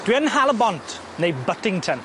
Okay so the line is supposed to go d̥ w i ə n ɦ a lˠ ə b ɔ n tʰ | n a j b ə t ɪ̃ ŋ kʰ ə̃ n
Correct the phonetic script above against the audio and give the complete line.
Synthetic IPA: d̥ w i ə n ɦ a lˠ ə b ɔ n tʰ | n e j b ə t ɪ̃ ŋ tʰ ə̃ n